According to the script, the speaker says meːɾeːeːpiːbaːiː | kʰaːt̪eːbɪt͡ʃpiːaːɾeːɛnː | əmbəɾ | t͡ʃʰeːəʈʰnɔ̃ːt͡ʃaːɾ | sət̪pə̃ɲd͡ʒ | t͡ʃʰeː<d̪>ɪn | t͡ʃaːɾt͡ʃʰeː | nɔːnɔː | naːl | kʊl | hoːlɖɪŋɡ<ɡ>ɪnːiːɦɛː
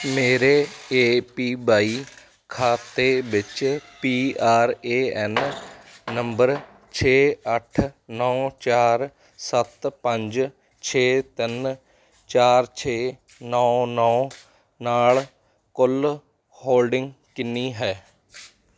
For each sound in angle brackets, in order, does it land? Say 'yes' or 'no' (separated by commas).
no, no